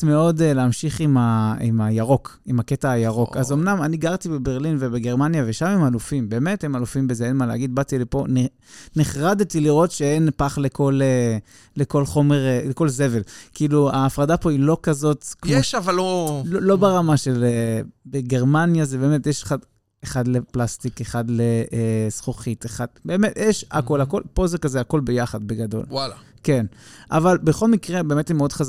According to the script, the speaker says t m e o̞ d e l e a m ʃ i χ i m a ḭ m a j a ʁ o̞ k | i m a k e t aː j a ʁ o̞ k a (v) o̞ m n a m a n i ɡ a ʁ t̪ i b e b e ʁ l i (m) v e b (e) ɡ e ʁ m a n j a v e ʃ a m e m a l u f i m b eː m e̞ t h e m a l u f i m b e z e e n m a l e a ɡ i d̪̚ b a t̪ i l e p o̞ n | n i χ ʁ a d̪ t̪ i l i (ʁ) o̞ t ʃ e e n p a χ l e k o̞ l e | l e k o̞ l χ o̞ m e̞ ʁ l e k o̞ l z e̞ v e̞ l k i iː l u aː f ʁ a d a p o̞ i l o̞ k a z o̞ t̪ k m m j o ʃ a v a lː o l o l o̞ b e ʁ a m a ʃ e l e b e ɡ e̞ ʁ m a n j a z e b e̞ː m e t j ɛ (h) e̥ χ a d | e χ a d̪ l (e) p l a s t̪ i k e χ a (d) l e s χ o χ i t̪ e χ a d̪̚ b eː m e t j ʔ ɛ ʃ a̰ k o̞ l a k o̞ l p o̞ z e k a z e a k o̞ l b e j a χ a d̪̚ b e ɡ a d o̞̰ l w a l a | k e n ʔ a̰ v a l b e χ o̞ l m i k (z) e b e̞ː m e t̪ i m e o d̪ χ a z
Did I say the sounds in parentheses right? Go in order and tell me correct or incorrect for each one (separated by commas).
incorrect, incorrect, correct, correct, incorrect, correct, correct, incorrect